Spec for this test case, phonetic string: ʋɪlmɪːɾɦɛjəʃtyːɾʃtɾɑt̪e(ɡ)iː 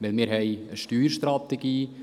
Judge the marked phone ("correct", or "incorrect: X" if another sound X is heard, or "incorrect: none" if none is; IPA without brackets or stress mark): correct